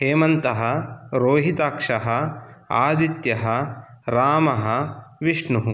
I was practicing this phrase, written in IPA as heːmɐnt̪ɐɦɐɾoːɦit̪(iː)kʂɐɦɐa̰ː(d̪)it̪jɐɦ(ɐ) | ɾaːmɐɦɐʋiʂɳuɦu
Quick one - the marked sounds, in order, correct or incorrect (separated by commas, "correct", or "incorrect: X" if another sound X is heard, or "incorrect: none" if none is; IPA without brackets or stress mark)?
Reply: incorrect: aː, correct, correct